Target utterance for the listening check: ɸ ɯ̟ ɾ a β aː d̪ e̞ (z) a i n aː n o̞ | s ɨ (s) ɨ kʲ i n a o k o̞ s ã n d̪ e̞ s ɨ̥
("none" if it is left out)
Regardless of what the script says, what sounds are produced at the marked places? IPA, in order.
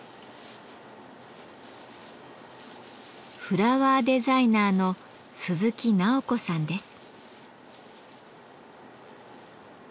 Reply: z, z

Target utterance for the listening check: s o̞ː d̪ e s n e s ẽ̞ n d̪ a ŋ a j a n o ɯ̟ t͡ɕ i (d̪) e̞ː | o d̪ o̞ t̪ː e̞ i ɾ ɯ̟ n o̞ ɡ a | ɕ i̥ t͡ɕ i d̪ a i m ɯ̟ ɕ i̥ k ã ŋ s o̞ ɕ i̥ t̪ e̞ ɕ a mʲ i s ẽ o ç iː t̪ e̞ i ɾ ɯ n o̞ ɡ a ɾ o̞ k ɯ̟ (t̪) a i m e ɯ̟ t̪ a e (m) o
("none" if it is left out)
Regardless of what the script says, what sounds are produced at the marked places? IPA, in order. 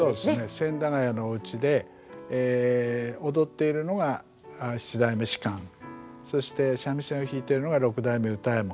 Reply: d̪, d̪, m

